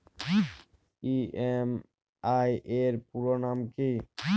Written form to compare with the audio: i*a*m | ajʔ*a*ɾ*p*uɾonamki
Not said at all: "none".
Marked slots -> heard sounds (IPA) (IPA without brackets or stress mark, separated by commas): e, e, p